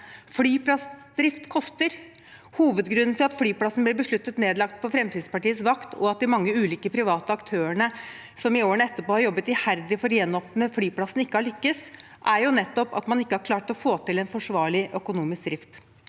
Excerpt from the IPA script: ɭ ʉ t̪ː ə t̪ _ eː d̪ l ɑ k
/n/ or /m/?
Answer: n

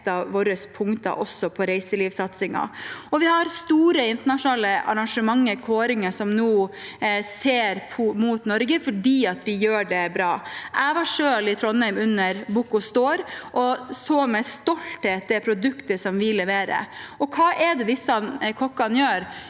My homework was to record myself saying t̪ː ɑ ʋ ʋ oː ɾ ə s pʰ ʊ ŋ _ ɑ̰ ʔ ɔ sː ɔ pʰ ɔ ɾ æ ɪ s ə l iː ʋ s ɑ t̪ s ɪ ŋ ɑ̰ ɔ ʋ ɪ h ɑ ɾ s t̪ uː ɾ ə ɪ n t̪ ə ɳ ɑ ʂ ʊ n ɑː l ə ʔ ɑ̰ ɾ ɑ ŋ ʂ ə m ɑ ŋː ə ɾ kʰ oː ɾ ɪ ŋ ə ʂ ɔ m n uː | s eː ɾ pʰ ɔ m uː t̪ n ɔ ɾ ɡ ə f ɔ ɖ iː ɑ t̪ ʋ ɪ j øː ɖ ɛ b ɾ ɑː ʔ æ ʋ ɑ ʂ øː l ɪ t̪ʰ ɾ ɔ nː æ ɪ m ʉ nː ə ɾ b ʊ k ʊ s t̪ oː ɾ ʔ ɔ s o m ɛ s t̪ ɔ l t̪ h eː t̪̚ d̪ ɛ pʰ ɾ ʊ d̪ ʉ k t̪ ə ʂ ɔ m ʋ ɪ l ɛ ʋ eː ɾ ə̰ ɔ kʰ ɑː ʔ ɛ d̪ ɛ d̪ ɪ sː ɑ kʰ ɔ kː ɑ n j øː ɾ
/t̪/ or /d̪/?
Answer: t̪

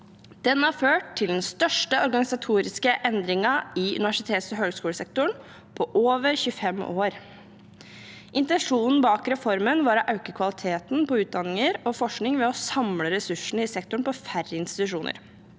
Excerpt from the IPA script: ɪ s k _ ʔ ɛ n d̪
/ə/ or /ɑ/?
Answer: ə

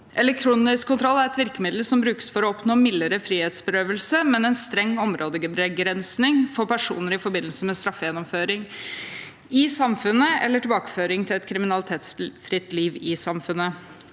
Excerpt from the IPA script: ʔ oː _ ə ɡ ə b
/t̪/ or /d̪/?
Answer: d̪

